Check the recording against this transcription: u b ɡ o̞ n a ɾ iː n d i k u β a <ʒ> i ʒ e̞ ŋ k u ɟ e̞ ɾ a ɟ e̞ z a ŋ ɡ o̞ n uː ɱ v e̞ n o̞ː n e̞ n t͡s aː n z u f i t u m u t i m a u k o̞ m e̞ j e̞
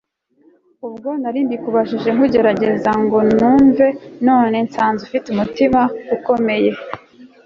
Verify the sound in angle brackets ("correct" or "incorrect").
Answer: incorrect